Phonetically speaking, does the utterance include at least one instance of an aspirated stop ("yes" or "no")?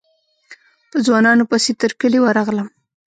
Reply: no